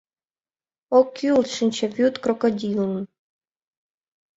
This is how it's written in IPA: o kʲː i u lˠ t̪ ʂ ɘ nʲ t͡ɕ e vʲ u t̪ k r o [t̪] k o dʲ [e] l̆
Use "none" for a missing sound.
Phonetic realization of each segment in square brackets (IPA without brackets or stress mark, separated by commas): none, i